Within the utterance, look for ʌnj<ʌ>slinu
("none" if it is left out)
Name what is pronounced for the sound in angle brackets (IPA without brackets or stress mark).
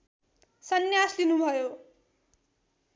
a